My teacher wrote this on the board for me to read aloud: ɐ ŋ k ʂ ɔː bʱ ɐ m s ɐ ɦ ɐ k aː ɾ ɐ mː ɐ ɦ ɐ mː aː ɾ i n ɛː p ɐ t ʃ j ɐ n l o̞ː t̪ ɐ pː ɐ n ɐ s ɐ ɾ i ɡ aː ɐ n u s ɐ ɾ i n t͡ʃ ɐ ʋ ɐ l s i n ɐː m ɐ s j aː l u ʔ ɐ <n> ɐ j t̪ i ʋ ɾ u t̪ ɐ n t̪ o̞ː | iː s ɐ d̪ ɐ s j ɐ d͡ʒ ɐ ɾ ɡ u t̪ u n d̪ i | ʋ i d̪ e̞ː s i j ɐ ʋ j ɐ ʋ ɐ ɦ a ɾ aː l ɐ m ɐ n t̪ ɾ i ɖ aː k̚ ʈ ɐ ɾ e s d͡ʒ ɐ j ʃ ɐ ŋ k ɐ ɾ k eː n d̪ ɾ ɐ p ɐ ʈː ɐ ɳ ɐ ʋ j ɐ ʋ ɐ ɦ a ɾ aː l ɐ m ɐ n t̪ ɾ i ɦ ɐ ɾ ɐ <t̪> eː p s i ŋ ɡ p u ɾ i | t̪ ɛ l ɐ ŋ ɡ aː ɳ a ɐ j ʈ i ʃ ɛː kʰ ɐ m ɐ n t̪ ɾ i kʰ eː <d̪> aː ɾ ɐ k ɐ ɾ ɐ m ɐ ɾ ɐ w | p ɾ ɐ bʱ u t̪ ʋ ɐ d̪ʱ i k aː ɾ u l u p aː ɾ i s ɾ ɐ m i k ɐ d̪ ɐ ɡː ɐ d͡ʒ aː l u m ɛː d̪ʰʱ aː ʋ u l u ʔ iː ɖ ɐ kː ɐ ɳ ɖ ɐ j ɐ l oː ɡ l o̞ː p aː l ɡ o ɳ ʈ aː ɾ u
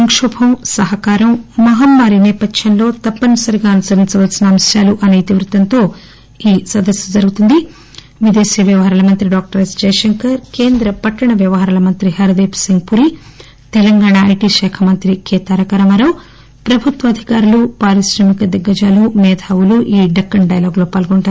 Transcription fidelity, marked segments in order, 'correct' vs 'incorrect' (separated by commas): correct, incorrect, incorrect